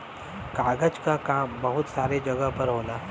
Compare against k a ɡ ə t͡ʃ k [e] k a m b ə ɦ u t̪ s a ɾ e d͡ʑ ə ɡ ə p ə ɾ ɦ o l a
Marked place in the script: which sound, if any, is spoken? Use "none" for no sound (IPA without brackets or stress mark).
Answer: a